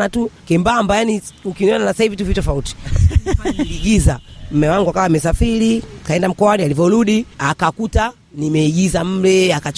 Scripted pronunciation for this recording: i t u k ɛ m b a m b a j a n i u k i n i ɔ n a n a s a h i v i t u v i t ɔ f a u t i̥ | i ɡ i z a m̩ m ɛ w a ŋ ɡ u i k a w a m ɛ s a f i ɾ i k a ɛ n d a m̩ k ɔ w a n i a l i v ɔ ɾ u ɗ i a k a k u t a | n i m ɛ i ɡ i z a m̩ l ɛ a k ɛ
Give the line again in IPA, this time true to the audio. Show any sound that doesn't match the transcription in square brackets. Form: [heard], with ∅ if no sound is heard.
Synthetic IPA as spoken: [a] t u k ɛ m b a m b a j a n i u k i n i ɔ n a n a s a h i v i t u v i t ɔ f a u t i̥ | i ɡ i z a m̩ m ɛ w a ŋ ɡ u [a] k a w a m ɛ s a f i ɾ i k a ɛ n d a m̩ k ɔ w a n i a l i v ɔ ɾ u ɗ i a k a k u t a | n i m ɛ i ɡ i z a m̩ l ɛ a k [a]